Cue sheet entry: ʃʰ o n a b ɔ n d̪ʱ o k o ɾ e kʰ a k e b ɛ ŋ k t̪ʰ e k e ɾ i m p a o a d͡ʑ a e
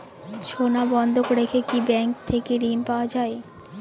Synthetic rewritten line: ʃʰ o n a b ɔ n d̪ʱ o k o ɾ e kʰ e k i b ɛ ŋ k t̪ʰ e k e ɾ i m p a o a d͡ʑ a e